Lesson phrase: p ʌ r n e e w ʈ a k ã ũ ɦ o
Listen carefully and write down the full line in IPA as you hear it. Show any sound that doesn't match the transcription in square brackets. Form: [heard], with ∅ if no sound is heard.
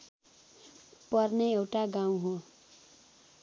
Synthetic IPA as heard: p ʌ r n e e w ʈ a [ɡ] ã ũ ɦ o